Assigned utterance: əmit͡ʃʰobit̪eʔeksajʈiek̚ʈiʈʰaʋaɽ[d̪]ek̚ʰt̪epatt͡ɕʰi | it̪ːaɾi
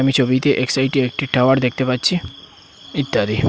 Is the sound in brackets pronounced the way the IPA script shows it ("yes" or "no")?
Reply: yes